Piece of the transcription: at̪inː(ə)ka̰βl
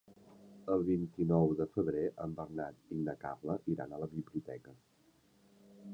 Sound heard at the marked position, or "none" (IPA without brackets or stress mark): ə